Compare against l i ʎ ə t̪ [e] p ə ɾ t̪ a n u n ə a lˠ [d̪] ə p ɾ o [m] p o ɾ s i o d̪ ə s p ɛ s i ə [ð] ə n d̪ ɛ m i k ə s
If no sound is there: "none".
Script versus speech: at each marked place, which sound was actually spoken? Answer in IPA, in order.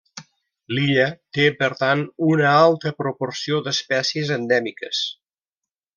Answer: e, t̪, none, z

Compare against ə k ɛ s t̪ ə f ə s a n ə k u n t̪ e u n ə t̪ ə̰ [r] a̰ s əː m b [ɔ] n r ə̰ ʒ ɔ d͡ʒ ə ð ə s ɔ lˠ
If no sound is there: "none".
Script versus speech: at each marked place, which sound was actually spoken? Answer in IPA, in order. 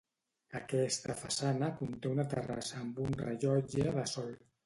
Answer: r, u

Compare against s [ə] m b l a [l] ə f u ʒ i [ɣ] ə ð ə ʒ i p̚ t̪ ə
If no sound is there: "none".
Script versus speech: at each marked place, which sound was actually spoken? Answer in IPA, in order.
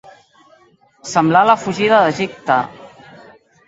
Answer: ə, l, ð

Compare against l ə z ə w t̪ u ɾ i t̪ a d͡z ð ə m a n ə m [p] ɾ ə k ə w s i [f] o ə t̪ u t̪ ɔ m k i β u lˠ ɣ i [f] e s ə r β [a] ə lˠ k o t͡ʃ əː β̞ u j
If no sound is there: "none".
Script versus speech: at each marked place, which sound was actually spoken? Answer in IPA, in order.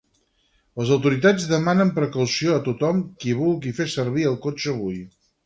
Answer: p, none, f, i

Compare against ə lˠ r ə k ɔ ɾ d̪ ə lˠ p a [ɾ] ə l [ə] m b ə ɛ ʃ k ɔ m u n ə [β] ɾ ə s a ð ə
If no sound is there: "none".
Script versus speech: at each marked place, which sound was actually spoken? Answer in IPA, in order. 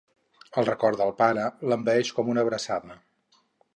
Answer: ɾ, ə, β

